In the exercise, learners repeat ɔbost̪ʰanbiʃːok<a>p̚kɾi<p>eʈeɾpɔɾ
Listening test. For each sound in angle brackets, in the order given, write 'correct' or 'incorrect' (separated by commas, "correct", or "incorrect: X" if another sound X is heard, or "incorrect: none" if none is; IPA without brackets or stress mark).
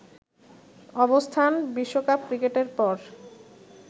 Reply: correct, incorrect: k